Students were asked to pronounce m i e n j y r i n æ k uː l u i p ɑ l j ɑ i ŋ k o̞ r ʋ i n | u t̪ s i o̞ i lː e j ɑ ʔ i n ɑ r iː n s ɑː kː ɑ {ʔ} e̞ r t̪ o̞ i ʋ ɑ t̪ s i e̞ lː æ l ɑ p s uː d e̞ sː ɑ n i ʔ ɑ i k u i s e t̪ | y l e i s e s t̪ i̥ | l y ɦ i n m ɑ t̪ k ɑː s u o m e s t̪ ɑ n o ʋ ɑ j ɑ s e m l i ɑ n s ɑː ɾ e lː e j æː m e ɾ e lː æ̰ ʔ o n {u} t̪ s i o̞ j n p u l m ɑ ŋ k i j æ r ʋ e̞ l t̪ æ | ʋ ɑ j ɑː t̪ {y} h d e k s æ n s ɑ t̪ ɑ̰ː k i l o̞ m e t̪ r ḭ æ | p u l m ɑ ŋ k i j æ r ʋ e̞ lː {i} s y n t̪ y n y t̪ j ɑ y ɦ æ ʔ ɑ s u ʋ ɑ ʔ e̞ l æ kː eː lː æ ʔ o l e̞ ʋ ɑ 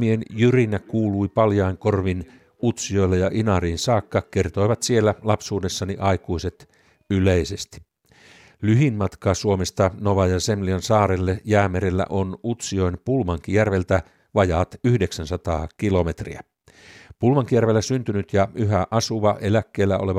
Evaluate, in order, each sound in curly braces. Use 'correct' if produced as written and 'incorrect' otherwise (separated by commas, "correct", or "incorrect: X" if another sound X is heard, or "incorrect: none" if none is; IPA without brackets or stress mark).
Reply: incorrect: k, correct, correct, incorrect: æ